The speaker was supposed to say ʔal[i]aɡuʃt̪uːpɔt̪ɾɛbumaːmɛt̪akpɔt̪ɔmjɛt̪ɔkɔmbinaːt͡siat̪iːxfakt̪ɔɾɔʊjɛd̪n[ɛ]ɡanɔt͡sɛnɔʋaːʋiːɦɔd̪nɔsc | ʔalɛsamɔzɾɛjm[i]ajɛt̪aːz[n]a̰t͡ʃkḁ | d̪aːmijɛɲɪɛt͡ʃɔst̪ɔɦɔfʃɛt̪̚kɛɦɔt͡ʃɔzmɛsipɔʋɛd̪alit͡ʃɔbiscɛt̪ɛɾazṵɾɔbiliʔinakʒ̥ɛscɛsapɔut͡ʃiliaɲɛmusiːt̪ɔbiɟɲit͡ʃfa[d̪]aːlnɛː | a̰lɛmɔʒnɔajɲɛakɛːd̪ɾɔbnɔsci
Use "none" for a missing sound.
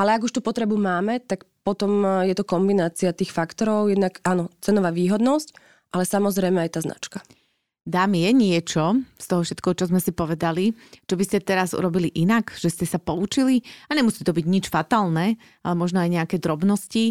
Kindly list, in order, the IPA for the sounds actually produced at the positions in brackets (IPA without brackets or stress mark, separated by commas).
ɛ, a, ɛ, n, t̪